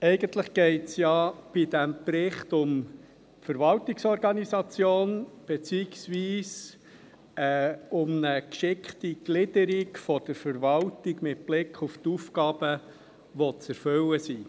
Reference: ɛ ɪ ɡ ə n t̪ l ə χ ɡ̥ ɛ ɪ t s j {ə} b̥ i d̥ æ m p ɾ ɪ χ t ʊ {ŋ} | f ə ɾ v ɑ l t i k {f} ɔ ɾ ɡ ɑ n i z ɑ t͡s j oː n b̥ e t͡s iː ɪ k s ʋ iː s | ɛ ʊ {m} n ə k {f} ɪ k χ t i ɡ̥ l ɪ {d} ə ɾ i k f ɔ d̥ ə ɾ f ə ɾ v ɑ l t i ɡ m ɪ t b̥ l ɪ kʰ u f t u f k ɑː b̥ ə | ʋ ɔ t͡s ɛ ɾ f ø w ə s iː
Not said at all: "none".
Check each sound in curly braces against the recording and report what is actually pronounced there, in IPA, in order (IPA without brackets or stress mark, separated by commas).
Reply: ɑ, m, s, m, ʃ, d